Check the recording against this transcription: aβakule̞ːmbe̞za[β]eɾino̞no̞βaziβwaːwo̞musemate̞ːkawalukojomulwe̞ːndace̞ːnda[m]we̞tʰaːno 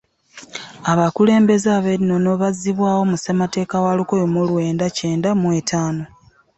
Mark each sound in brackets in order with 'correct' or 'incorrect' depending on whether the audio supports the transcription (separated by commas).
correct, correct